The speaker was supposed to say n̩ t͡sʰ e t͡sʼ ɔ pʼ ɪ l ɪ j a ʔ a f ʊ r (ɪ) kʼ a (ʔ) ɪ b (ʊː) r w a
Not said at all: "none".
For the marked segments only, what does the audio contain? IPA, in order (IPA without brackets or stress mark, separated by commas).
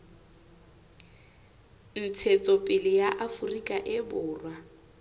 i, ʔ, ʊː